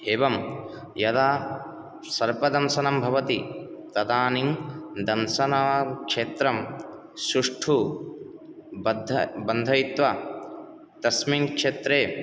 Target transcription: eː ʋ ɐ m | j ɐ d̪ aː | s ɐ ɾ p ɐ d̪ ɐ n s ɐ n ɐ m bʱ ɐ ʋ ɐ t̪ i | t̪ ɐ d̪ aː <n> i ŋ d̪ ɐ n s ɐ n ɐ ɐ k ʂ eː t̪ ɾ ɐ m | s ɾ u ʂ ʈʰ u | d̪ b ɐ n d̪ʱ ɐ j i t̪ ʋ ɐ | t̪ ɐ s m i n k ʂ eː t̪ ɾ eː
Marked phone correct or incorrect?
correct